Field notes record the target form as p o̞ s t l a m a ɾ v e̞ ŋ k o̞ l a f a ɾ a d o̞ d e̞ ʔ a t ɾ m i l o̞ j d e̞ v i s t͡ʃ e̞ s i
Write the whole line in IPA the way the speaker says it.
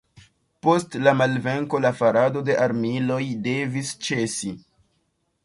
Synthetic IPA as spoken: p o̞ s t l a m a l v e̞ ŋ k o̞ l a f a ɾ a d o̞ d e̞ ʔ a ɾ m i l o̞ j d e̞ v i s t͡ʃ e̞ s i